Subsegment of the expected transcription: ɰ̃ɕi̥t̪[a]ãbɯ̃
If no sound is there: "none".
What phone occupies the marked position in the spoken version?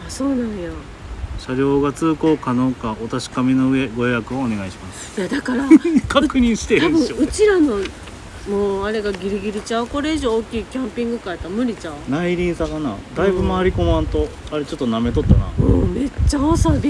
e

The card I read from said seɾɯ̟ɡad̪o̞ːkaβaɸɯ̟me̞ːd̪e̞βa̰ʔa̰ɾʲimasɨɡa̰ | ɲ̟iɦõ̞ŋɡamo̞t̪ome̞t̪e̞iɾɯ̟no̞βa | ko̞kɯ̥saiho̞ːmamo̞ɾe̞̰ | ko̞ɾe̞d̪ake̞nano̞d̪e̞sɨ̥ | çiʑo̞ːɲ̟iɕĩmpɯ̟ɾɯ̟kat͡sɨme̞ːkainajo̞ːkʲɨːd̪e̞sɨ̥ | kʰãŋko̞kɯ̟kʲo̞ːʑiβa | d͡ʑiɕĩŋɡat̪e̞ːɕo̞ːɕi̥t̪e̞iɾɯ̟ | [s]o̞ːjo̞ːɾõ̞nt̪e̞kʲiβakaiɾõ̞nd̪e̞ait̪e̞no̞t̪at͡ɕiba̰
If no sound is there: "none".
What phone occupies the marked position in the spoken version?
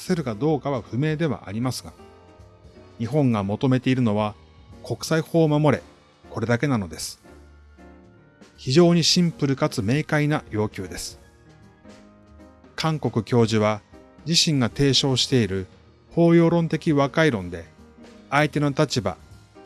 h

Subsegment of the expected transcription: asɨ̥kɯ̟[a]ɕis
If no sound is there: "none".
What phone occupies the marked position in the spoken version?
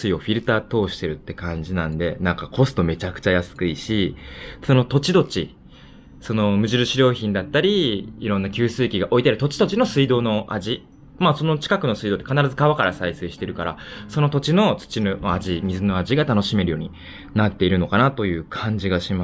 i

